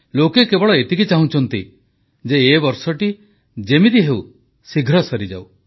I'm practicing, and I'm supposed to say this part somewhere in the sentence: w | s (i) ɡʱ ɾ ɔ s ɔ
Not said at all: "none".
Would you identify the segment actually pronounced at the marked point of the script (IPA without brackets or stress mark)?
i